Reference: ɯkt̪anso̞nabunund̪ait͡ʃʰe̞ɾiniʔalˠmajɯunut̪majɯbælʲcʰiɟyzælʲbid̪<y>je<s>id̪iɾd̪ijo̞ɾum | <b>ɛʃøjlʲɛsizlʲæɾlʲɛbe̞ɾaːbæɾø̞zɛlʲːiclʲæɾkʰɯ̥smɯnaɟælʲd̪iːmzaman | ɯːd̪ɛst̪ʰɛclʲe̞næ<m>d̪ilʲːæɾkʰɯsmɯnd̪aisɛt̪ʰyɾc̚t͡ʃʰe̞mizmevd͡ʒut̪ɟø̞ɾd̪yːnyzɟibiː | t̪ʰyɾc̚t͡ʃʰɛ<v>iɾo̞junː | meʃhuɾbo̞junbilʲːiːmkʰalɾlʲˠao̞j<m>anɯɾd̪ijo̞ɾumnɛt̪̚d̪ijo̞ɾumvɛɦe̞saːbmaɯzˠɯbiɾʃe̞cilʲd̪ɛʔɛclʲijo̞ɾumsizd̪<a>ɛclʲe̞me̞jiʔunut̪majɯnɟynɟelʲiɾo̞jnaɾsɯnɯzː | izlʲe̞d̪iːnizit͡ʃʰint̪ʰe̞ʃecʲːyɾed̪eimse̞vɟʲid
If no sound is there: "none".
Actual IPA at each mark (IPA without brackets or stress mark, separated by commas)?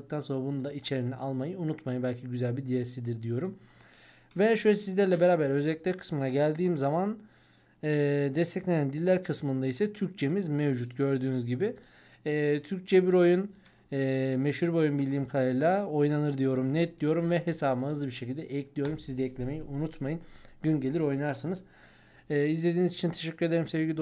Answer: i, s, v, n, b, n, ɛ